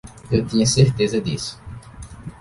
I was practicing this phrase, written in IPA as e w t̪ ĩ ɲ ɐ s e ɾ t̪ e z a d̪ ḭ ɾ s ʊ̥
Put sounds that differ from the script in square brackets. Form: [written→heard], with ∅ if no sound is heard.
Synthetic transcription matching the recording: e w t̪ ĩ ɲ ɐ s e ɾ t̪ e z [a→ɐ] d̪ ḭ [ɾ→∅] s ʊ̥